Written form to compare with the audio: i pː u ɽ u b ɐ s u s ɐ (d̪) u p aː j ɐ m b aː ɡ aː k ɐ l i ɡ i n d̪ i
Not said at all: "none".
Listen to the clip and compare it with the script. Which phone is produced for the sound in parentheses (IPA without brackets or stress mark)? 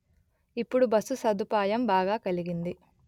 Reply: d̪